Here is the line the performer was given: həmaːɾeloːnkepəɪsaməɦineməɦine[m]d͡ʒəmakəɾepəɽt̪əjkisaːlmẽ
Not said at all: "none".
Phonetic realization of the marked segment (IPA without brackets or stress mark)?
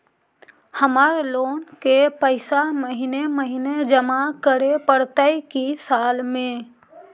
none